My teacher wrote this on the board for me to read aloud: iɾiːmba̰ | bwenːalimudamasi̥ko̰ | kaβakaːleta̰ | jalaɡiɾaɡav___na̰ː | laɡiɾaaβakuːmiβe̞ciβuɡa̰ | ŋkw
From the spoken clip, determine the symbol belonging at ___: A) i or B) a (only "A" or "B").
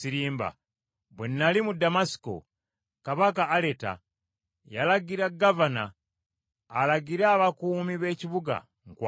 B